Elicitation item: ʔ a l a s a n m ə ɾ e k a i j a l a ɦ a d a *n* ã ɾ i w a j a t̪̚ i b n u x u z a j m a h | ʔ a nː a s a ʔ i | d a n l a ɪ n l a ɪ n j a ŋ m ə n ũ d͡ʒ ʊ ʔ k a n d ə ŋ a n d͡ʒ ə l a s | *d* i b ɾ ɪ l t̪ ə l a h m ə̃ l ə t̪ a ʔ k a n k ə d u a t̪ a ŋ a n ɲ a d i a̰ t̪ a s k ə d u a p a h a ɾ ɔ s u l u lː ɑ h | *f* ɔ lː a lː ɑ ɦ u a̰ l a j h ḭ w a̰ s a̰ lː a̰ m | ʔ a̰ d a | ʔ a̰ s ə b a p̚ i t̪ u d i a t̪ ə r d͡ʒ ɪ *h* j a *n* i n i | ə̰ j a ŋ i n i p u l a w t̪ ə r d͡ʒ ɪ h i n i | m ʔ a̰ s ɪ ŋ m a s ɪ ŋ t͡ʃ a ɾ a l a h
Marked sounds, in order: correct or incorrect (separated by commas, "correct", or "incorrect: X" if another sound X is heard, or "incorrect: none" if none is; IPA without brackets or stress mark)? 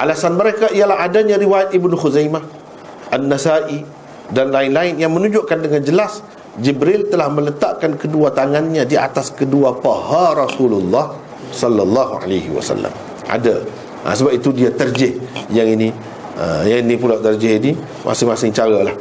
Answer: incorrect: ɲ, incorrect: d͡ʒ, incorrect: s, correct, incorrect: ŋ